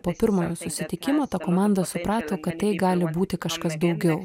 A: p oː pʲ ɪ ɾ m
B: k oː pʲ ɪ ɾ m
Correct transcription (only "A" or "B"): A